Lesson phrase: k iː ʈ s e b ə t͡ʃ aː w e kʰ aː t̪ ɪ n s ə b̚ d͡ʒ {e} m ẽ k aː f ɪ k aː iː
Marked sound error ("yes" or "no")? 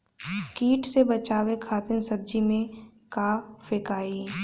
yes